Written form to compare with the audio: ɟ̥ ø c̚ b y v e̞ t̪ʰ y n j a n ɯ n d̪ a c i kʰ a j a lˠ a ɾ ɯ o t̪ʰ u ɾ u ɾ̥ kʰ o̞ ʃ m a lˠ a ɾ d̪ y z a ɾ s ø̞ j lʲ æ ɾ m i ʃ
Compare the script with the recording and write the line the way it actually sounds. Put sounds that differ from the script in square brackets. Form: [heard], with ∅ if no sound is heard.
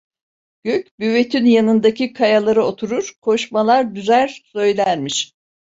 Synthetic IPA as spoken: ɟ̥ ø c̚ b y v e̞ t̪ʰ y n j a n ɯ n d̪ a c i kʰ a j a lˠ a ɾ ɯ o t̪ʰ u ɾ u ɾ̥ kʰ o̞ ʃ m a lˠ a ɾ d̪ y z [æ] ɾ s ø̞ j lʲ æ ɾ m i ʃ